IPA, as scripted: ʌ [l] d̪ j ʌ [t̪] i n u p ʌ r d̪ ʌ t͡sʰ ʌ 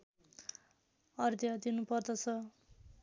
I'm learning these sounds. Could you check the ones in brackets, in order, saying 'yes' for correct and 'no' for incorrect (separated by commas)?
no, no